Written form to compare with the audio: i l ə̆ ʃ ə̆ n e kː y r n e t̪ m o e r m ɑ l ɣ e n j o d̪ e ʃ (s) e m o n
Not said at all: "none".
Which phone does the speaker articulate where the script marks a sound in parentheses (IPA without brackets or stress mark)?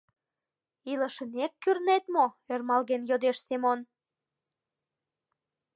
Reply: s